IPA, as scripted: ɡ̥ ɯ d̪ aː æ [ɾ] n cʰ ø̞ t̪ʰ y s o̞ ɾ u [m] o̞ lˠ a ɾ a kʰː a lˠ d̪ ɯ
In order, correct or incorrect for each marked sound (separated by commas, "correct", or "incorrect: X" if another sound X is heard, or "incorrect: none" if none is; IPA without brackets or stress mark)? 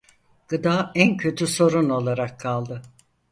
incorrect: none, incorrect: n